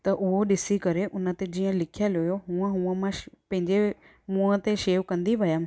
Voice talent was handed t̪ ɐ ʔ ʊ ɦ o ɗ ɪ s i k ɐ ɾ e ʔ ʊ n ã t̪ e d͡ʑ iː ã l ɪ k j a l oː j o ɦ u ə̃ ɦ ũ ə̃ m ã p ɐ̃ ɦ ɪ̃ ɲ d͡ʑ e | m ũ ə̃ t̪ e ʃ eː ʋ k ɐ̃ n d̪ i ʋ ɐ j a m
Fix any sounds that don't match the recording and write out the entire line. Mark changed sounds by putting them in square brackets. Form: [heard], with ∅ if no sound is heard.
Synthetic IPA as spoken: t̪ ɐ ʔ ʊ ɦ o ɗ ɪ s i k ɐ ɾ e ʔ ʊ n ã t̪ e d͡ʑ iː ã l ɪ [kʰ] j a l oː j o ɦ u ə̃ ɦ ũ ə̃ m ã p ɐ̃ ɦ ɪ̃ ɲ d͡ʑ e | m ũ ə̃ t̪ e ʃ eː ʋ k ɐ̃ n d̪ i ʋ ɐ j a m